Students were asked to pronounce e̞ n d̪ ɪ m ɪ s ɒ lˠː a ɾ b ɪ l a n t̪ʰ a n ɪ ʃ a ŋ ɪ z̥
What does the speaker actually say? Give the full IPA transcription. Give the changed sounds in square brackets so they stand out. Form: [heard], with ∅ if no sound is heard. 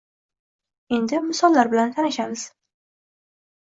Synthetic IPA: e̞ n d̪ ɪ m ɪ s ɒ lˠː a ɾ b ɪ l a n t̪ʰ a n ɪ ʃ a [m] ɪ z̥